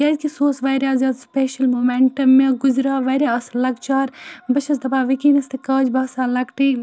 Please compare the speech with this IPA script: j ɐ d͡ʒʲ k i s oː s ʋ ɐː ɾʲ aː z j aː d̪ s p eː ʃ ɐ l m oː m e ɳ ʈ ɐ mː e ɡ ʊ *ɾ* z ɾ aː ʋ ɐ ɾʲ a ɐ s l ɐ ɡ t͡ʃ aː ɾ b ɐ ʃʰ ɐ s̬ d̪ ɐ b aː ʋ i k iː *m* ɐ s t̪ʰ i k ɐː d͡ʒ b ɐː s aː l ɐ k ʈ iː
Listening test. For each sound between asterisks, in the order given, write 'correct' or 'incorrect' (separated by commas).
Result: incorrect, incorrect